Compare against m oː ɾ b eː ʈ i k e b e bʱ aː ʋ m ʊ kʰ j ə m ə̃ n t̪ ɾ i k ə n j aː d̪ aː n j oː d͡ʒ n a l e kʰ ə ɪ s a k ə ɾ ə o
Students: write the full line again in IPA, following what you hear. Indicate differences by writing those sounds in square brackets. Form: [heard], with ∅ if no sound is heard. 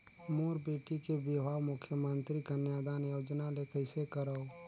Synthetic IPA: m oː ɾ b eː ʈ i k e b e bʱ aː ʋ m ʊ kʰ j ə m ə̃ n t̪ ɾ i k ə n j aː d̪ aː n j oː d͡ʒ n a l e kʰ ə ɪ s [e] k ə ɾ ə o